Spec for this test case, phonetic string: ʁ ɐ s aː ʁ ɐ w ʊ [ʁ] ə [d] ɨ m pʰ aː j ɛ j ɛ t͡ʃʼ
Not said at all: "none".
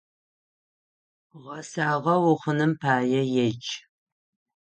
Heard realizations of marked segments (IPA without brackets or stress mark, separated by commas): χ, n